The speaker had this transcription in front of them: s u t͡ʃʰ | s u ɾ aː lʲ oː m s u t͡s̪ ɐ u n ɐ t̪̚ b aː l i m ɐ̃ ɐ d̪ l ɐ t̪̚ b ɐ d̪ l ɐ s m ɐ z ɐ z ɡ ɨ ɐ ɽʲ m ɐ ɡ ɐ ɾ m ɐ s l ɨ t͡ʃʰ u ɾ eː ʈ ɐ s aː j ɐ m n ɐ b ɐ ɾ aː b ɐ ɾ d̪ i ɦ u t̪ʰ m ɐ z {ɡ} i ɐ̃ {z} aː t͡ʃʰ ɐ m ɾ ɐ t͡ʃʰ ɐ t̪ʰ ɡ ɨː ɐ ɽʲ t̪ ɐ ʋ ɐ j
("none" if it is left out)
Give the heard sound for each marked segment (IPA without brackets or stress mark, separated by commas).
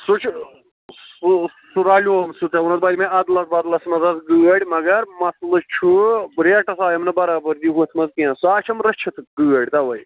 k, s